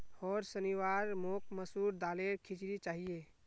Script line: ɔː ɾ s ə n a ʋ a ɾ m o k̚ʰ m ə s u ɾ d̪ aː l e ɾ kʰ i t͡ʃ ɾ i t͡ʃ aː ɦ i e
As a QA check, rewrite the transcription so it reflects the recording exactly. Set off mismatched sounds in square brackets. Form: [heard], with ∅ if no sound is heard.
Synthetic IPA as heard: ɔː ɾ s ə n [i] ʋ a ɾ m o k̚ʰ m ə s u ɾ d̪ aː l e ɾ kʰ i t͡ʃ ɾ i t͡ʃ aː ɦ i e